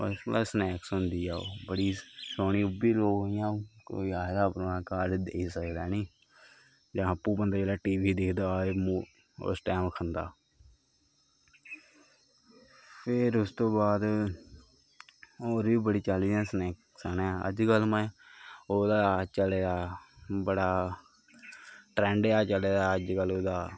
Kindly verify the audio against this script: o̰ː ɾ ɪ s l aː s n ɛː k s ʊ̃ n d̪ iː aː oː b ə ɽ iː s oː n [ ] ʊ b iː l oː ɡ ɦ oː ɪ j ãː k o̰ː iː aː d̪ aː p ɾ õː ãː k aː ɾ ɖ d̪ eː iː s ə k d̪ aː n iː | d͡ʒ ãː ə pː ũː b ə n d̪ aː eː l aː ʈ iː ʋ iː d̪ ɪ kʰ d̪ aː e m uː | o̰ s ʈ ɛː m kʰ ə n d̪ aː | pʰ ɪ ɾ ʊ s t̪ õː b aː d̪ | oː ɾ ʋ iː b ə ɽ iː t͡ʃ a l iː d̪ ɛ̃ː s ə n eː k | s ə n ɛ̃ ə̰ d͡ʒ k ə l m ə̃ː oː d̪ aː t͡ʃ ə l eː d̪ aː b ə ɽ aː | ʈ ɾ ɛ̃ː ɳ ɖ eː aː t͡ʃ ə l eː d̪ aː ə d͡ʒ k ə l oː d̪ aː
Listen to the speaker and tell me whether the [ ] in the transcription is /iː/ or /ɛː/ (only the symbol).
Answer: iː